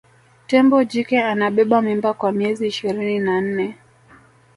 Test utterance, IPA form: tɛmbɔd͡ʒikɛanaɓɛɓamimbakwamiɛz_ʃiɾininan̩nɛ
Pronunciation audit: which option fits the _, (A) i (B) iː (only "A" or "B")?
B